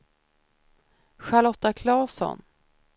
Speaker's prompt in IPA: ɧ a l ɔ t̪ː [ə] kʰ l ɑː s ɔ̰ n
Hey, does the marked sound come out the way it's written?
no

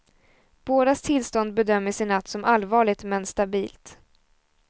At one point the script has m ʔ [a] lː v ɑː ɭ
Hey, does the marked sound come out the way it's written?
yes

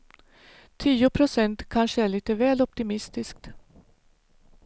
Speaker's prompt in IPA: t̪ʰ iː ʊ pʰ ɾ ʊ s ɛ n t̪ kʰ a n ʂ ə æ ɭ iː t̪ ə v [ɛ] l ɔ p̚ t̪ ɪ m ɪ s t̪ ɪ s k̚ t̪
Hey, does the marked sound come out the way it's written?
no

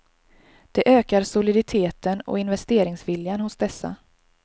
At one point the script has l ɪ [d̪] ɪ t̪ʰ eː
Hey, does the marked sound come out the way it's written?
yes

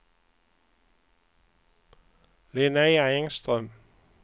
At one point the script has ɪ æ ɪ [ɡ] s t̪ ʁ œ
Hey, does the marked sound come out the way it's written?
no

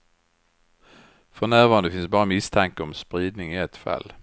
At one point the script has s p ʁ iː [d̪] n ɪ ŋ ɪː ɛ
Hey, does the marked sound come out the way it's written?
yes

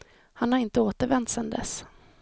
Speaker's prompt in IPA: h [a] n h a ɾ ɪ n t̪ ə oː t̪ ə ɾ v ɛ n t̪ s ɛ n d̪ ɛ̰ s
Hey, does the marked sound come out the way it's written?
yes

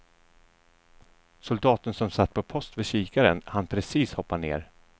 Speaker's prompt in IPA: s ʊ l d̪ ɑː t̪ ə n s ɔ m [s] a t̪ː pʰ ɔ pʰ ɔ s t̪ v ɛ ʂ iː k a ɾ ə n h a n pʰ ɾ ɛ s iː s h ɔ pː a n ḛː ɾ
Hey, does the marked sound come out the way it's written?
yes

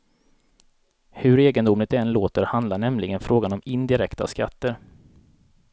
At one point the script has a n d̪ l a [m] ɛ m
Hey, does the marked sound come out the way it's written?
no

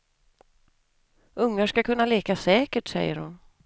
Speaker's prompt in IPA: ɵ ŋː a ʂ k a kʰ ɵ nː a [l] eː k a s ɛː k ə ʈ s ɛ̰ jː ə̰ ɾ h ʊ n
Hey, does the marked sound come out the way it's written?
yes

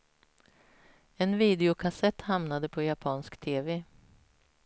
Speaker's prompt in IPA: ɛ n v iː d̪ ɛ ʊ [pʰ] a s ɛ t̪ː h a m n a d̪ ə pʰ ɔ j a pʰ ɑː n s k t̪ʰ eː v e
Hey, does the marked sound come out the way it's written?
no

